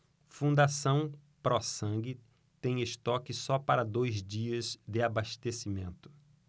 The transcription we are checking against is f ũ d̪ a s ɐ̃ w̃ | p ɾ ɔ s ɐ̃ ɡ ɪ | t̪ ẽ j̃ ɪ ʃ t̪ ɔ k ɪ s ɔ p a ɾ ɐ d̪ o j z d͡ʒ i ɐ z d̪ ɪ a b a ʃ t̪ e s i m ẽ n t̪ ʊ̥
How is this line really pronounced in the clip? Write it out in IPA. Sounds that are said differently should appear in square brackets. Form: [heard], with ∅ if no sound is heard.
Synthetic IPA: f ũ d̪ a s ɐ̃ w̃ | p ɾ ɔ s ɐ̃ ɡ ɪ | t̪ ẽ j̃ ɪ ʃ t̪ ɔ k ɪ s ɔ p a ɾ ɐ d̪ o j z d͡ʒ i ɐ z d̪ ɪ a b a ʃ t̪ e s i m ẽ n t̪ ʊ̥